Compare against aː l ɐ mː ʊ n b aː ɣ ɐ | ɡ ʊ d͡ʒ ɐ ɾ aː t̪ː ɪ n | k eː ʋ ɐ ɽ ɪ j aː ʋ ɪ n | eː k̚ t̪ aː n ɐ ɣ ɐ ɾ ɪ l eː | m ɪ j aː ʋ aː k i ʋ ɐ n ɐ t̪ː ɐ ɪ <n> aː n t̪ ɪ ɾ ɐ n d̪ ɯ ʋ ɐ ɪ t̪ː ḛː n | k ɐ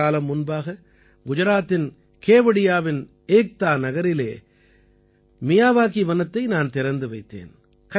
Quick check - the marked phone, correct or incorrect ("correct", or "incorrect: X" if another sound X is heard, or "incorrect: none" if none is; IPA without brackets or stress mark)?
correct